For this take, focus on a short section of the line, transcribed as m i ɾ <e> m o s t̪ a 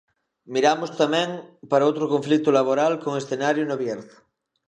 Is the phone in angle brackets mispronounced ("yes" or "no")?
yes